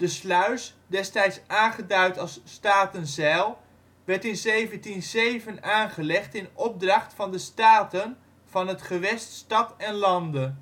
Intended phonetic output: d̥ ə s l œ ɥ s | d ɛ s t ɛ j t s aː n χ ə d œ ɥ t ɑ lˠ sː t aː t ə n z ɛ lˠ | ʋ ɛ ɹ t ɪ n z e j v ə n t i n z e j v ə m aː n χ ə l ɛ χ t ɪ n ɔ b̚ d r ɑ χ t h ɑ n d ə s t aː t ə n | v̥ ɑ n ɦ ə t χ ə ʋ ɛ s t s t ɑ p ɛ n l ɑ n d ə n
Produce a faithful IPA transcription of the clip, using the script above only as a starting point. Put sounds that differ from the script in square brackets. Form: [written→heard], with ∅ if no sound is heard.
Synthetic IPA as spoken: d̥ ə s l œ ɥ s | d ɛ s t ɛ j t s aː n χ ə d œ ɥ t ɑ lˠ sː t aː t ə n z ɛ lˠ | ʋ ɛ ɹ t ɪ n z e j v ə n t i n z e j v ə [m→n] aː n χ ə l ɛ χ t ɪ n ɔ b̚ d r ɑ χ t [h→f] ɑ n d ə s t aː t ə n | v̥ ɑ n ɦ ə t χ ə ʋ ɛ s t s t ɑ [p→t] ɛ n l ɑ n d ə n

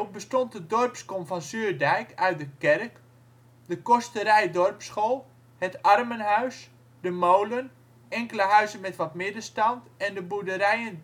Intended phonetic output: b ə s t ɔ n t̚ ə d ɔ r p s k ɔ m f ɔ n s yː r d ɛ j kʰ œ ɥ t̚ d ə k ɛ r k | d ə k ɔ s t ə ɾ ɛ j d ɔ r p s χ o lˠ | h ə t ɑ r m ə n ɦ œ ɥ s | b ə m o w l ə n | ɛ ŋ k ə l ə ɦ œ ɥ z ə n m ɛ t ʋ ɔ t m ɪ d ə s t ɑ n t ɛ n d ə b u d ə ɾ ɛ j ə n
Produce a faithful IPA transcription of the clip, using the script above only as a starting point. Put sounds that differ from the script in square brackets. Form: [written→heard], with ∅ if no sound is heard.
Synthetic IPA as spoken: b ə s t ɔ n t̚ ə d ɔ r p s k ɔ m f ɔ n s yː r d ɛ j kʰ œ ɥ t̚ d ə k ɛ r k | d ə k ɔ s t ə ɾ ɛ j d ɔ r p s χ o lˠ | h ə t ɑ r m ə n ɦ œ ɥ s | [b→d] ə m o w l ə n | ɛ ŋ k ə l ə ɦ œ ɥ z ə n m ɛ t ʋ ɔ t m ɪ d ə s t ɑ n t ɛ n d ə b u d ə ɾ ɛ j ə n

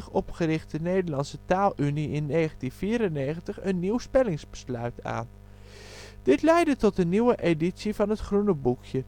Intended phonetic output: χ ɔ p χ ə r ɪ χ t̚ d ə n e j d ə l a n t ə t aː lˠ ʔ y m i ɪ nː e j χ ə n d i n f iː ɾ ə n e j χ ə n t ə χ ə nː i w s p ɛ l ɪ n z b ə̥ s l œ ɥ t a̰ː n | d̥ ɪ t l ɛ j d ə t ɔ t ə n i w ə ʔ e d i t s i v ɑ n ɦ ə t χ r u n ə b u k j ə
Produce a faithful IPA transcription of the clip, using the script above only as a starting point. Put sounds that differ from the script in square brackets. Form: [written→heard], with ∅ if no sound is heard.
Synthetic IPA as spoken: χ ɔ p χ ə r ɪ χ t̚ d ə n e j d ə l [a→ɑ] n [t→s] ə t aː lˠ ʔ y [m→n] i ɪ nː e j χ ə n [d→t] i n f iː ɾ ə n e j χ ə n t ə χ ə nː i w s p ɛ l ɪ [n→ŋ] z b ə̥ s l œ ɥ t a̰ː n | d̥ ɪ t l ɛ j d ə t ɔ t ə n i w ə ʔ e d i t s i v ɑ n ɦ ə t χ r u n ə b u k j ə

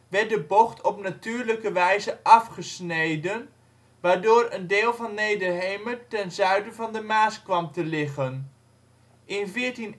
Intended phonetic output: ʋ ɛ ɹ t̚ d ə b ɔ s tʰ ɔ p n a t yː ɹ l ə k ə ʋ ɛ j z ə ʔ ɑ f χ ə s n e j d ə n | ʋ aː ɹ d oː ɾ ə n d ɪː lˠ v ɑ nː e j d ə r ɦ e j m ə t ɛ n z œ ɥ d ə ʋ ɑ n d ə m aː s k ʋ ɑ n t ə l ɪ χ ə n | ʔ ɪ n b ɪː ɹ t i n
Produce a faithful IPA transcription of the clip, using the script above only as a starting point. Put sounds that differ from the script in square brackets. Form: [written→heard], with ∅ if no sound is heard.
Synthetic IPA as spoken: ʋ ɛ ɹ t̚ d ə b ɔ [s→χ] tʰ ɔ p n a t yː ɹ l ə k ə ʋ ɛ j z ə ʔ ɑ f χ ə s n e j d ə n | ʋ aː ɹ d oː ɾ ə n d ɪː lˠ v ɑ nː e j d ə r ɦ e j m ə t ɛ n z œ ɥ d ə [ʋ→v] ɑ n d ə m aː s k ʋ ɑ [n→m] t ə l ɪ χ ə n | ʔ ɪ n [b→v] ɪː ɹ t i n

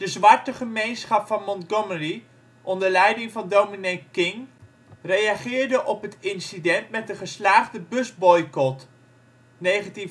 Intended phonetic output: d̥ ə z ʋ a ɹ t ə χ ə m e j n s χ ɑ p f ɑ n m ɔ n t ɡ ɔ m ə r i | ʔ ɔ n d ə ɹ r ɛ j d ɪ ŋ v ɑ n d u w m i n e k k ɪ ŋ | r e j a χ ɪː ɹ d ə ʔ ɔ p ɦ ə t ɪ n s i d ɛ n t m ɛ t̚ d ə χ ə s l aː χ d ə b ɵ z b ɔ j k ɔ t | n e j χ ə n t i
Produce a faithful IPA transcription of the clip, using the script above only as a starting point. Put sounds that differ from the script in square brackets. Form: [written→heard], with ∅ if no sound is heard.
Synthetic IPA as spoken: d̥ ə z ʋ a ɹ t ə χ ə m e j n s χ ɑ p f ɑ n m ɔ n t ɡ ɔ m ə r i | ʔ ɔ n d ə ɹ [r→l] ɛ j d ɪ ŋ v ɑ n d [u→o] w m i n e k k ɪ ŋ | r e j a χ ɪː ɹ d ə ʔ ɔ p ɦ ə t ɪ n s i d ɛ n t m ɛ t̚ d ə χ ə s l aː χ d ə b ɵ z b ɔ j k ɔ t | n e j χ ə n t i

